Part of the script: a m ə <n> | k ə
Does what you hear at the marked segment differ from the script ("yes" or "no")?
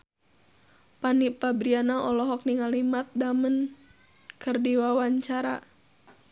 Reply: no